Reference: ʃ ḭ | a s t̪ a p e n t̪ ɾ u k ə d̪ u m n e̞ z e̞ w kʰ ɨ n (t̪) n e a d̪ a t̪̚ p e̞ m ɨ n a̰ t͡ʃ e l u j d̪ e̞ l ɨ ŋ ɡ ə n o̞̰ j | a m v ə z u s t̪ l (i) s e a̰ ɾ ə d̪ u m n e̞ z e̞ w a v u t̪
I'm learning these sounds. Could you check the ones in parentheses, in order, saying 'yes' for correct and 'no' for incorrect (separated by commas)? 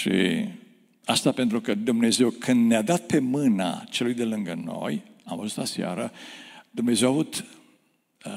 no, no